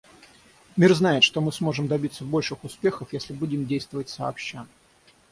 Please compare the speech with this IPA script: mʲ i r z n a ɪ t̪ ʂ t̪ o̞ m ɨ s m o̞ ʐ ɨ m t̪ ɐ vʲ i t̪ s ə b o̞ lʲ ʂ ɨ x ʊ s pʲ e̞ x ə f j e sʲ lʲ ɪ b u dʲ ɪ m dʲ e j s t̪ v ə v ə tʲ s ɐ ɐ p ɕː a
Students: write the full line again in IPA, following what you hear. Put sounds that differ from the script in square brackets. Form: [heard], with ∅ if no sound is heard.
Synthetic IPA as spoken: mʲ i r z n a ɪ t̪ ʂ t̪ o̞ m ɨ s m o̞ ʐ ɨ m [d̪] ɐ [bʲ] i t̪ s ə b o̞ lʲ ʂ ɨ x ʊ s pʲ e̞ x ə f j e sʲ lʲ ɪ b u dʲ ɪ m dʲ e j s t̪ v ə v ə tʲ s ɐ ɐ p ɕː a